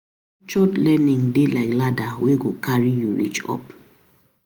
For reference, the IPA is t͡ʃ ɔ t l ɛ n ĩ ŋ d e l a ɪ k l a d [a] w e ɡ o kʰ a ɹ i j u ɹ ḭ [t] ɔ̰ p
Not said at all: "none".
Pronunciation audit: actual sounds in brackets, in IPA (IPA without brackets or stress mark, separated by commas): a, t͡ʃ